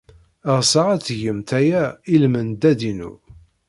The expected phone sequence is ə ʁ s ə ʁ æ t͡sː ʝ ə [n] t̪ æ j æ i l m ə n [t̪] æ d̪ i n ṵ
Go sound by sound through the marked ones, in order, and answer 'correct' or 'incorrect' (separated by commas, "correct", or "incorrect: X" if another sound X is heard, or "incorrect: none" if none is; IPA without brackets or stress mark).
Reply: incorrect: m, incorrect: d̪